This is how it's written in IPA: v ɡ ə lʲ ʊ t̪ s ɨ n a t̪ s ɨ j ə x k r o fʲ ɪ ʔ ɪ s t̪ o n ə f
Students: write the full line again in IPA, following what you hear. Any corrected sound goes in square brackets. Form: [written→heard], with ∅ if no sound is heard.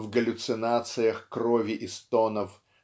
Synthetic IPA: v ɡ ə lʲ ʊ t̪ s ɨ n a t̪ s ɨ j ə x k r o [fʲ→vʲ] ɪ ʔ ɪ s t̪ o n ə f

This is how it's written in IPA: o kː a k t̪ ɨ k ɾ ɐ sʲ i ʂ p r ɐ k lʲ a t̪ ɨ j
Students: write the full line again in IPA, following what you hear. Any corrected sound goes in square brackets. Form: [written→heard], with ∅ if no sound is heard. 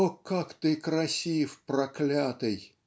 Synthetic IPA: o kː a k t̪ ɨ k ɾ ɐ sʲ i [ʂ→f] p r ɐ k lʲ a t̪ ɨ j

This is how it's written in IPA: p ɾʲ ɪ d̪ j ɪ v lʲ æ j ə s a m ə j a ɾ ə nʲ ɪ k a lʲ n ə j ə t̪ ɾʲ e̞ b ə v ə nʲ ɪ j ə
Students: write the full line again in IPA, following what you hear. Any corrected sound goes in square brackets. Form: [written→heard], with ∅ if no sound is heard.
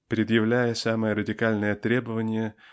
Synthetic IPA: p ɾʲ ɪ d̪ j ɪ v lʲ æ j ə s a m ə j [a→ə] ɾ ə [nʲ→dʲ] ɪ k a lʲ n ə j ə t̪ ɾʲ e̞ b ə v ə nʲ ɪ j ə

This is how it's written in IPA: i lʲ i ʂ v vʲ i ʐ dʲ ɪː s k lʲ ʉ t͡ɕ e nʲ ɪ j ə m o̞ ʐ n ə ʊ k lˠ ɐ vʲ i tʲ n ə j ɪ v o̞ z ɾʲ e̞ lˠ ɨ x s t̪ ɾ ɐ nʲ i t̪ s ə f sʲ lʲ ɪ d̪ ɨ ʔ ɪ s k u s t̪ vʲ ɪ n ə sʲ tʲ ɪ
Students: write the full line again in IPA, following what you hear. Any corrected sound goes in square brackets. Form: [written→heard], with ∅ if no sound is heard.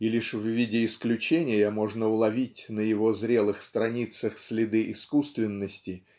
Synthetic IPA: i lʲ i ʂ v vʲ i [ʐ→∅] dʲ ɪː s k lʲ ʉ t͡ɕ e nʲ ɪ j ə m o̞ ʐ n ə ʊ [k→∅] lˠ ɐ vʲ i tʲ n ə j ɪ v o̞ z ɾʲ e̞ lˠ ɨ x s t̪ ɾ ɐ nʲ i t̪ s ə [f→x] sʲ lʲ ɪ d̪ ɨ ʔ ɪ s k u s t̪ vʲ ɪ [n→nː] ə sʲ tʲ ɪ

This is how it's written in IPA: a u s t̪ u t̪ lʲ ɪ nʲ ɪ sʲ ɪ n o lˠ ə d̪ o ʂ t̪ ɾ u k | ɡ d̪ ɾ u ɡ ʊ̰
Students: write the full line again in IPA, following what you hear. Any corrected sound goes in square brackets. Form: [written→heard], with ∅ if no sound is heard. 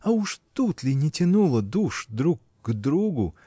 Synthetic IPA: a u [s→ʂ] t̪ u t̪ lʲ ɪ nʲ ɪ [sʲ→tʲ] ɪ n [o→u] lˠ ə d̪ [o→u] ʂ [t̪→d̪] ɾ u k | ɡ d̪ ɾ u ɡ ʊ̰

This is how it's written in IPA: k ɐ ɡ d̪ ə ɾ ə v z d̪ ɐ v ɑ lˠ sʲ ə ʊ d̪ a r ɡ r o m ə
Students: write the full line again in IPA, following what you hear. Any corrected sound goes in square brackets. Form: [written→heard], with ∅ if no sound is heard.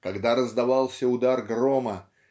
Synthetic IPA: k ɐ ɡ d̪ [ə→a] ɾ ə [v→∅] z d̪ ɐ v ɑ lˠ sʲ ə ʊ d̪ a r ɡ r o m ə

